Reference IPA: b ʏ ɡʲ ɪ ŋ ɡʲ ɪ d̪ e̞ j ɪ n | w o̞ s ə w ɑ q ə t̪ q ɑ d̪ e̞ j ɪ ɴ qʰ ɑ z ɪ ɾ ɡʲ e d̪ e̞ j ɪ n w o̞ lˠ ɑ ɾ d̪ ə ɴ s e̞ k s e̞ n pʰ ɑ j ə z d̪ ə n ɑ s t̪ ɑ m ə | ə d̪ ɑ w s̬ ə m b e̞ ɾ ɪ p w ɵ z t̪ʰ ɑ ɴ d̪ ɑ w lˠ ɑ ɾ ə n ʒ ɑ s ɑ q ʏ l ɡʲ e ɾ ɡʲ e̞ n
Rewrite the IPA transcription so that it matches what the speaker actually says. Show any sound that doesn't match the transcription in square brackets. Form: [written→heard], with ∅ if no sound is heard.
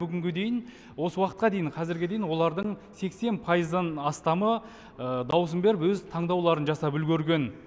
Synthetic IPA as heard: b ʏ ɡʲ ɪ ŋ ɡʲ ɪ d̪ e̞ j ɪ n | w o̞ s ə w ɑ q ə t̪ q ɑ d̪ e̞ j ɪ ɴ qʰ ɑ z ɪ ɾ ɡʲ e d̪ e̞ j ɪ n w o̞ lˠ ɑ ɾ d̪ ə ɴ s e̞ k s e̞ n pʰ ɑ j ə z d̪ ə n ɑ s t̪ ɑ m ə | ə d̪ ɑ w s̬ ə m b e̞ ɾ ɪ p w ɵ z t̪ʰ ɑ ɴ d̪ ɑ w lˠ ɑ ɾ ə n ʒ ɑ s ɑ [q→p] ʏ l ɡʲ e ɾ ɡʲ e̞ n